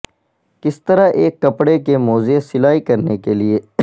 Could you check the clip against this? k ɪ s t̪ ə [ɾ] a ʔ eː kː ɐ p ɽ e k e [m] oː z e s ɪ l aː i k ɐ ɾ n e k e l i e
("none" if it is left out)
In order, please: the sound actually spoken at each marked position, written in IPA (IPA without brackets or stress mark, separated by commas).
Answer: ɾ, m